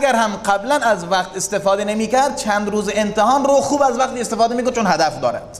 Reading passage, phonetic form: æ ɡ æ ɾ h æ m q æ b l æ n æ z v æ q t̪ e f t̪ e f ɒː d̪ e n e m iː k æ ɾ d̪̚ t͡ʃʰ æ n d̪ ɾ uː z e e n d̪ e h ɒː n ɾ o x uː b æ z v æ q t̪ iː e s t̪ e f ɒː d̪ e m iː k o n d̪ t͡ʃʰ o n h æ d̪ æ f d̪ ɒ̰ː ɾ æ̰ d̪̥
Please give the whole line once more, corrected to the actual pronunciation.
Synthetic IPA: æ ɡ æ ɾ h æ m q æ b l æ n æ z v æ q t̪ e s t̪ e f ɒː d̪ e n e m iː k æ ɾ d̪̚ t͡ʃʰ æ n d̪ ɾ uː z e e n t̪ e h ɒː n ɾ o x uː b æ z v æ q t̪ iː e s t̪ e f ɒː d̪ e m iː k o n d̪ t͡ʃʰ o n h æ d̪ æ f d̪ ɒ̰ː ɾ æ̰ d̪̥